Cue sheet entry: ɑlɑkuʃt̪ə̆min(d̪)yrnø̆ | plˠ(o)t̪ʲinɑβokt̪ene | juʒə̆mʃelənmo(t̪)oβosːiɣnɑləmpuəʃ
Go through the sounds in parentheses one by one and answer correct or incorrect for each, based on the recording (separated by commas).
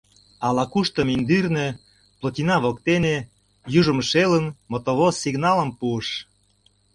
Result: correct, correct, correct